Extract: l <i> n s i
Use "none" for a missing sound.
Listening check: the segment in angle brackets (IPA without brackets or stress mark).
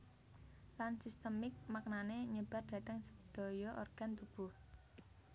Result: a